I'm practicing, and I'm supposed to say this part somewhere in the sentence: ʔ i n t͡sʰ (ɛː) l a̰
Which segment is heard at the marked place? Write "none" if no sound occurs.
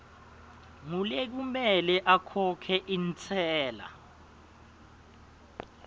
ɛː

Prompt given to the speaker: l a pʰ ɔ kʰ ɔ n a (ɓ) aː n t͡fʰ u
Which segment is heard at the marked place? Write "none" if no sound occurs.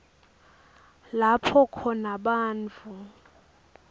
ɓ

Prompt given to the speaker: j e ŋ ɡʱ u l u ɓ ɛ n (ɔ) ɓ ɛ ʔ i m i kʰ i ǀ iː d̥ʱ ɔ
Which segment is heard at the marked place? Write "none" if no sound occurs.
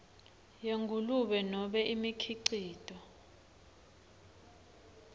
ɔ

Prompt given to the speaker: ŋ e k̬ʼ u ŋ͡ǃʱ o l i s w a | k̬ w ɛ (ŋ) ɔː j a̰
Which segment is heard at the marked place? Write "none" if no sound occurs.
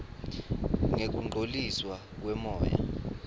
m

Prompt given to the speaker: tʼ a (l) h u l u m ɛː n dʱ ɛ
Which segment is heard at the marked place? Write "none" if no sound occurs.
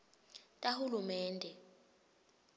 none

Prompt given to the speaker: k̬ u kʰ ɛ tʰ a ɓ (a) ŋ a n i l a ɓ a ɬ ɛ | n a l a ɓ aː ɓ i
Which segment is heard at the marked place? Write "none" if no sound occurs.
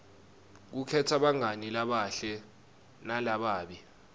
a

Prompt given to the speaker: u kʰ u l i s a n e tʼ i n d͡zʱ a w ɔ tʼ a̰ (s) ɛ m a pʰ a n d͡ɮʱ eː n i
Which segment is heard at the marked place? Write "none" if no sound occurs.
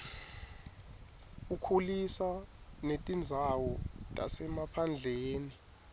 s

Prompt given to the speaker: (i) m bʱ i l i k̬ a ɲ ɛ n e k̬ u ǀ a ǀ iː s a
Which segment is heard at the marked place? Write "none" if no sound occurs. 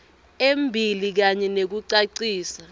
e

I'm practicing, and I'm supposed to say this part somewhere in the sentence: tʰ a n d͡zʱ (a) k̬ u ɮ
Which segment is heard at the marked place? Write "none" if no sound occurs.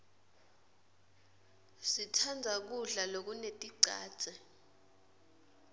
a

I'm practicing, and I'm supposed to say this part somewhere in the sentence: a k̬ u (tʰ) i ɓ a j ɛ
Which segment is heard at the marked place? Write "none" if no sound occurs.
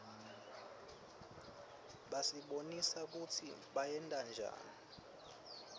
tʰ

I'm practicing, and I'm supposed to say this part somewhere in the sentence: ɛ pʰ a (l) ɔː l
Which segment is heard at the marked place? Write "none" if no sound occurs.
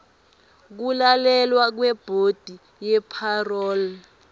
r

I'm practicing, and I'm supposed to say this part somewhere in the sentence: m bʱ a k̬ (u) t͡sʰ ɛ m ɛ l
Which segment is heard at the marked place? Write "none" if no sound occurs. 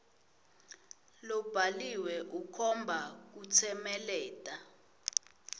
u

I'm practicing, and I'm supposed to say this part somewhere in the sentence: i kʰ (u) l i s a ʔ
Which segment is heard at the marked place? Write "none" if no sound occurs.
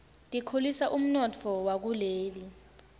o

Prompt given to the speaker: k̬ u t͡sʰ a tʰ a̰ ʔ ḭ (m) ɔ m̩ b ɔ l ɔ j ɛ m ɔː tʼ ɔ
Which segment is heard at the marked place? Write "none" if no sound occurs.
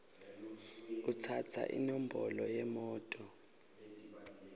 n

